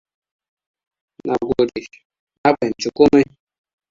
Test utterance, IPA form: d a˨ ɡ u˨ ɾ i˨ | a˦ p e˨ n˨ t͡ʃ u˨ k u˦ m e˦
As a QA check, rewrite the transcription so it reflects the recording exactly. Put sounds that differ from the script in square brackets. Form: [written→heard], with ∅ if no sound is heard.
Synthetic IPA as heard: [d→n] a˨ ɡ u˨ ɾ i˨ | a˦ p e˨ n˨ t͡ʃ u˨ k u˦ m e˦